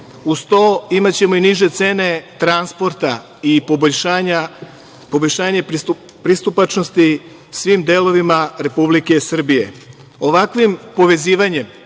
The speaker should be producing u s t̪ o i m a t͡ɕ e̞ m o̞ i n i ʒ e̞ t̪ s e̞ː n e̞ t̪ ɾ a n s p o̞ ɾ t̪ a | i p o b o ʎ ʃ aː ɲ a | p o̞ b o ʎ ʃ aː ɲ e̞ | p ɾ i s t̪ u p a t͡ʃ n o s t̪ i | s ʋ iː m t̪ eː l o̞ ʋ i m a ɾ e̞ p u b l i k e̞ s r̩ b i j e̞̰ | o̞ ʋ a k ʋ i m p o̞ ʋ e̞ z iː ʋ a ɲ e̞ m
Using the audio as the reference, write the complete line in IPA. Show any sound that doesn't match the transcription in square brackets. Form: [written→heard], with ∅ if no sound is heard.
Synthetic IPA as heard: u s t̪ o i m a t͡ɕ e̞ m o̞ i n i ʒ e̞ t̪ s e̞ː n e̞ t̪ ɾ a n s p o̞ ɾ t̪ a | i p o b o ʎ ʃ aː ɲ a | p o̞ b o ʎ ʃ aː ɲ e̞ | p ɾ i s t̪ u p a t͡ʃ n o s t̪ i | s ʋ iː m [t̪→d̪] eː l o̞ ʋ i m a ɾ e̞ p u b l i k e̞ s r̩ b i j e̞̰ | o̞ ʋ a k ʋ i m p o̞ ʋ e̞ z iː ʋ a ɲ e̞ m